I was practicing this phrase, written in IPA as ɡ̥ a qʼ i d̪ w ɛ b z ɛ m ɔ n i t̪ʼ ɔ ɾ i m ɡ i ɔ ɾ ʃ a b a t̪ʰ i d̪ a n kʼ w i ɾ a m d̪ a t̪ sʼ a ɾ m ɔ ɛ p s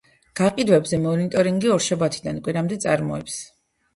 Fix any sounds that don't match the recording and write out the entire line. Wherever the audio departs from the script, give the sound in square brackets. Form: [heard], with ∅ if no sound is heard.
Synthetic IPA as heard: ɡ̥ a qʼ i d̪ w ɛ b z ɛ m ɔ n i t̪ʼ ɔ ɾ i [ŋ] ɡ i ɔ ɾ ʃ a b a t̪ʰ i d̪ a n kʼ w i ɾ a m d̪ [ɛ] t̪ sʼ a ɾ m ɔ ɛ p s